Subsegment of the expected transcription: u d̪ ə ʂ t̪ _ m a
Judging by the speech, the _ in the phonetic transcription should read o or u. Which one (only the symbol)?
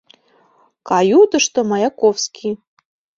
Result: o